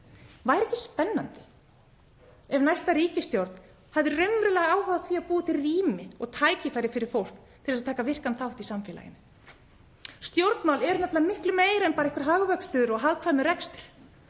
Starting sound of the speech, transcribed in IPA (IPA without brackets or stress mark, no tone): v